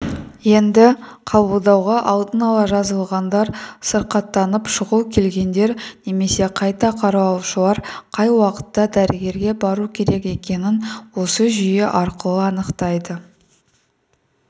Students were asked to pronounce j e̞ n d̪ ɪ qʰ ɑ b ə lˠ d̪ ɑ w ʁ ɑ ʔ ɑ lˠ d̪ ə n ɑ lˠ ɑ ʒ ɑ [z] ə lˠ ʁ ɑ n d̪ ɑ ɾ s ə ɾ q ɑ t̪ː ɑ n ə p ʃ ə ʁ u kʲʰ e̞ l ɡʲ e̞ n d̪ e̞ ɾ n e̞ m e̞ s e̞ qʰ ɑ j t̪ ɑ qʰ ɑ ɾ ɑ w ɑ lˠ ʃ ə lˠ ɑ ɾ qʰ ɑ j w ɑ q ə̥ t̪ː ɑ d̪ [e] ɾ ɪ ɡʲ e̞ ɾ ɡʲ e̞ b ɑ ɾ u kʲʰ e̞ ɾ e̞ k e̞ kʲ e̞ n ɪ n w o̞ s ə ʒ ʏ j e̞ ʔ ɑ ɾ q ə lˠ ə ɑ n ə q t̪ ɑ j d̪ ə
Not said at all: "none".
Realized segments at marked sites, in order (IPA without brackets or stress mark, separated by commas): z, æ